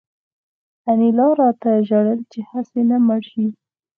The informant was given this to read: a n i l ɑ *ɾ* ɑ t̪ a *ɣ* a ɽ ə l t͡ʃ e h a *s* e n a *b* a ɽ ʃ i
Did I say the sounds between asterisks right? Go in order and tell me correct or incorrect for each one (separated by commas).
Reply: correct, incorrect, correct, incorrect